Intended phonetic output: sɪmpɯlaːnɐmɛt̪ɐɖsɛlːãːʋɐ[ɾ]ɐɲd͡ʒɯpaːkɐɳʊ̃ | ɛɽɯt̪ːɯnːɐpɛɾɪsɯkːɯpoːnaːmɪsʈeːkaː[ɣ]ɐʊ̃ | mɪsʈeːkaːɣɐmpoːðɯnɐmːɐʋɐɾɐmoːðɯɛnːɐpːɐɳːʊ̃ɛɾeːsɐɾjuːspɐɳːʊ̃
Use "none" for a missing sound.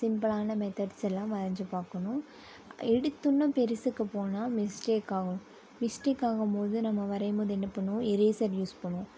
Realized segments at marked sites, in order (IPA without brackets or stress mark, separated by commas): ɾ, ɣ